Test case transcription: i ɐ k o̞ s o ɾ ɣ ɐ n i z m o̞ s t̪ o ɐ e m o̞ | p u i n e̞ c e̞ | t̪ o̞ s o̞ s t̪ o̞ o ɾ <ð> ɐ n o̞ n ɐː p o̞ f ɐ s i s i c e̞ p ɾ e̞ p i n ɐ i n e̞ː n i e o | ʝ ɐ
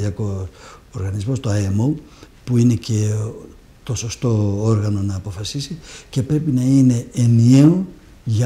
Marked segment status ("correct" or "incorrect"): incorrect